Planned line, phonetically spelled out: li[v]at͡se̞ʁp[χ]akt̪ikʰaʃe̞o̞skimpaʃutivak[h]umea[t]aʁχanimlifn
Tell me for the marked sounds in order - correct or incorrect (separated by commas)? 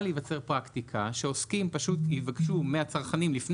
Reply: correct, incorrect, incorrect, incorrect